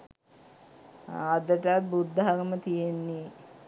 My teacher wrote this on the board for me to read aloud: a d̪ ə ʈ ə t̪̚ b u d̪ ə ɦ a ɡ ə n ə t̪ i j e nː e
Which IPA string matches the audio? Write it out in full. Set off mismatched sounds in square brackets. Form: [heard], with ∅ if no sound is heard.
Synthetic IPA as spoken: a d̪ ə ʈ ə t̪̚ b u [d̪ː] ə ɦ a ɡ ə [m] ə t̪ i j e nː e